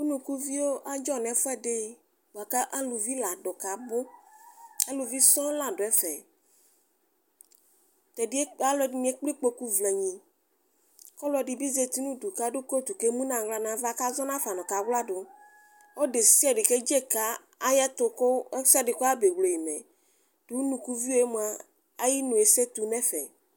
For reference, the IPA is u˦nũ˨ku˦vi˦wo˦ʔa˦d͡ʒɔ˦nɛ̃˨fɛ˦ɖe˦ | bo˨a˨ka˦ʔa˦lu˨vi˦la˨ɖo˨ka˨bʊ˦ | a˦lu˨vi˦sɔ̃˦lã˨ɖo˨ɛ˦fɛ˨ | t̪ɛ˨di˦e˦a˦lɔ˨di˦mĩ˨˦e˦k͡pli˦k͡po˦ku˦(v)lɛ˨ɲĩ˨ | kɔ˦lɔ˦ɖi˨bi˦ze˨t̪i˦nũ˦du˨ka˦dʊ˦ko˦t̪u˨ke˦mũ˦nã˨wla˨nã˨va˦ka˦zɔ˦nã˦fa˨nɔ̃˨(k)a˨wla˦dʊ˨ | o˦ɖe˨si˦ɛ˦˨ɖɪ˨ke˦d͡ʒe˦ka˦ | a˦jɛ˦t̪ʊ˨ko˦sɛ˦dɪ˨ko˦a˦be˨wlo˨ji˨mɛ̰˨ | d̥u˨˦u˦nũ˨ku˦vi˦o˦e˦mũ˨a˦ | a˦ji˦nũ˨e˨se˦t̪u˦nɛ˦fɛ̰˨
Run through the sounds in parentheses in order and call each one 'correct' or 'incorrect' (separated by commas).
correct, correct